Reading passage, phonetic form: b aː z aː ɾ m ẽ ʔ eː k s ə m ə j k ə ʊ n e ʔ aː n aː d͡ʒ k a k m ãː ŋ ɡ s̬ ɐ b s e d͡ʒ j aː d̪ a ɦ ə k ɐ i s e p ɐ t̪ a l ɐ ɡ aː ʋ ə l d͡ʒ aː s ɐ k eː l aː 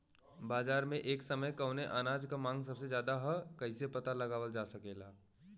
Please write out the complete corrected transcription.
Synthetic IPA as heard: b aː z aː ɾ m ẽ ʔ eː k s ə m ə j k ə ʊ n e ʔ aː n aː d͡ʒ k a m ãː ŋ ɡ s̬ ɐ b s e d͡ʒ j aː d̪ a ɦ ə k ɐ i s e p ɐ t̪ a l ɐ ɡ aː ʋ ə l d͡ʒ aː s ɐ k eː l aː